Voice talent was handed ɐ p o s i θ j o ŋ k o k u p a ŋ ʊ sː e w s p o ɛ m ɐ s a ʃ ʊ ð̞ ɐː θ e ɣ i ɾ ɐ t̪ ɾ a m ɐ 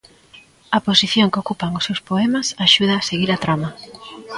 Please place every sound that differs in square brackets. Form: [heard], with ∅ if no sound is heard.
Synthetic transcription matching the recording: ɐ p o s i θ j o ŋ k o k u p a ŋ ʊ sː e w s p o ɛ m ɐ s a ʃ [u] ð̞ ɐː [s] e ɣ i ɾ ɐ t̪ ɾ a m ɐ